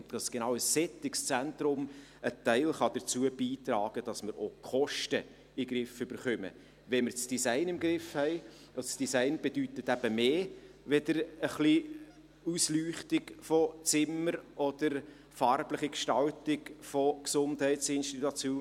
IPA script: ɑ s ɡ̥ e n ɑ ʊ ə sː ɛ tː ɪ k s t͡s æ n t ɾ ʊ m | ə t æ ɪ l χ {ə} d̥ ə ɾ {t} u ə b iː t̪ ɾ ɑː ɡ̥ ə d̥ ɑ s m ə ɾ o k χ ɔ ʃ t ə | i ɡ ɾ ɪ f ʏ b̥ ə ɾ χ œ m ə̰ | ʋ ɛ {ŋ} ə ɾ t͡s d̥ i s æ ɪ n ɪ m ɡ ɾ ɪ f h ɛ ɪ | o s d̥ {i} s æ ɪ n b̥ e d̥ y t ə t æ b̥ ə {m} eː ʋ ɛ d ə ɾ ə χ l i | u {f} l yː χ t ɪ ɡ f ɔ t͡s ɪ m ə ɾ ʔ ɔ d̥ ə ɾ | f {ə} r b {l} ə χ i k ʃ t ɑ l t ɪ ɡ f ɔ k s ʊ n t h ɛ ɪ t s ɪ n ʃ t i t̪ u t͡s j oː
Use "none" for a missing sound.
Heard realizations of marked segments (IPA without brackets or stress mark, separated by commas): ɑ, t͡s, m, i, m, s, ɑ, l